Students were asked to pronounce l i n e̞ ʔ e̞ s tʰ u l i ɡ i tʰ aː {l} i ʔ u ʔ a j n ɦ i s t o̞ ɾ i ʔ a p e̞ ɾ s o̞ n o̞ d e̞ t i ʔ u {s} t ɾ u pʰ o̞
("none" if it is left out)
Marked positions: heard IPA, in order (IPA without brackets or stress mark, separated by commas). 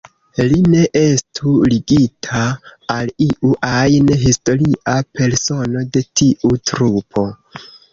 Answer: l, none